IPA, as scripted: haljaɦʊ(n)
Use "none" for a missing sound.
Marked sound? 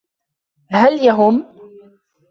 m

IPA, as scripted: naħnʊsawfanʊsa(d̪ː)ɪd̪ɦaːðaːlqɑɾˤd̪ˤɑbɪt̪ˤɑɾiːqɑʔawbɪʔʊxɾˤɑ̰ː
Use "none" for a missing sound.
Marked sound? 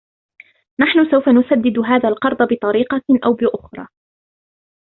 d̪ː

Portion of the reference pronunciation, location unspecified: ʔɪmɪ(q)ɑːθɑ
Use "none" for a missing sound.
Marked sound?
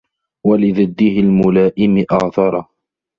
ʔ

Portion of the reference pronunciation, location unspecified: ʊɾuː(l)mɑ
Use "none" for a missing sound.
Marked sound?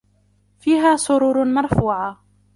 ɾ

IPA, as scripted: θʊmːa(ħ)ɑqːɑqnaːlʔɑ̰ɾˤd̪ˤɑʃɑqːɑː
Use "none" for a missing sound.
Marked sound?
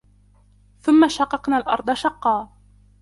ʃ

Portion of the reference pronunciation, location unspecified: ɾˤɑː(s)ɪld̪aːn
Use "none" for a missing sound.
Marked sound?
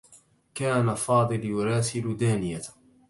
s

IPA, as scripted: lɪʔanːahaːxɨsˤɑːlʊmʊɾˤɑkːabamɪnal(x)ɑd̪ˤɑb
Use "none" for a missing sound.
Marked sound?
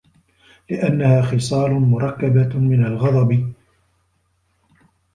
ɣ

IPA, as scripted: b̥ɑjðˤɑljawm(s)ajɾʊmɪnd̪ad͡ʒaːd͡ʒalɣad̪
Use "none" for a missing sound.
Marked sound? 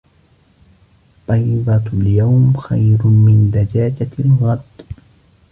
x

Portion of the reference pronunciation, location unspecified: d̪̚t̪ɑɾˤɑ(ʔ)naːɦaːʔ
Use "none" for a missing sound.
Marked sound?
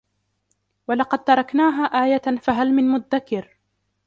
k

